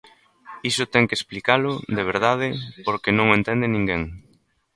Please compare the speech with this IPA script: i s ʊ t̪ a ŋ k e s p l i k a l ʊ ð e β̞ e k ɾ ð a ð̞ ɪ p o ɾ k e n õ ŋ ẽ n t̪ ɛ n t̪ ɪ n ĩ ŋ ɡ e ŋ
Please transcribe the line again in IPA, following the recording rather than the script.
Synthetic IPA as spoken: i s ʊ t̪ ɛ ŋ k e s p l i k a l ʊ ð e β̞ e ɾ ð a ð̞ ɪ p o ɾ k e n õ ŋ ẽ n t̪ ɛ n d̪ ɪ n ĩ ŋ ɡ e ŋ